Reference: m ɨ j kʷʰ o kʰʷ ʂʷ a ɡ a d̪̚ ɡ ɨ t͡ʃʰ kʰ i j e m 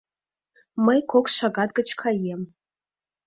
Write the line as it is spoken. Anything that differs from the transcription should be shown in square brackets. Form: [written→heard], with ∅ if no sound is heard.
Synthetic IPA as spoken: m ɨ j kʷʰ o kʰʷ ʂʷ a ɡ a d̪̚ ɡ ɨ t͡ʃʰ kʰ [i→a] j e m